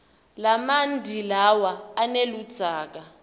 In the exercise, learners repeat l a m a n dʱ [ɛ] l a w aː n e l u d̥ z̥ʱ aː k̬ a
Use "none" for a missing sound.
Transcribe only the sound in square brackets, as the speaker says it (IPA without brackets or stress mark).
i